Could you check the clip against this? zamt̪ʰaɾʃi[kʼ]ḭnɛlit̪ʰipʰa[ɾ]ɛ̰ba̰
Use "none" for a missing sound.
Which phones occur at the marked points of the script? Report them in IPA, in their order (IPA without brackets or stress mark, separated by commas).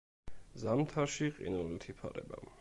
qʼ, ɾ